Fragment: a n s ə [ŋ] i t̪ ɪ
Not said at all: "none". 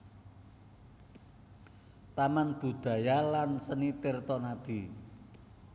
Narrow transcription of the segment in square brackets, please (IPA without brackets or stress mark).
n